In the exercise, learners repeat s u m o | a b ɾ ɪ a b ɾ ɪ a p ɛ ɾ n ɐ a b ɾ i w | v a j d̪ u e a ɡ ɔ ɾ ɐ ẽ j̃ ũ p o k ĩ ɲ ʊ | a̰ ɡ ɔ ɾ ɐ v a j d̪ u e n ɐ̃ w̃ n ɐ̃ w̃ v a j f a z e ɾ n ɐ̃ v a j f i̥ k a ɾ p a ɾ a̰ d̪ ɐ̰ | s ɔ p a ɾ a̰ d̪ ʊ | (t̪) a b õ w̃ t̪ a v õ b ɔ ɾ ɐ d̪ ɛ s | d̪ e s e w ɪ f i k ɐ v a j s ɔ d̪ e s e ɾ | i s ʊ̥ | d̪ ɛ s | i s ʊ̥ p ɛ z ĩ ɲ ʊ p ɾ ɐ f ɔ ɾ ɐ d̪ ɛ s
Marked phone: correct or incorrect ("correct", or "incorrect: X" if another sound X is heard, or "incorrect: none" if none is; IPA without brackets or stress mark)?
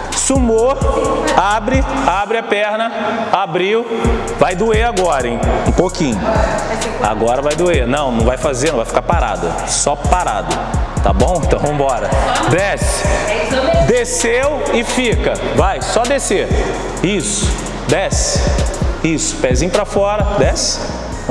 correct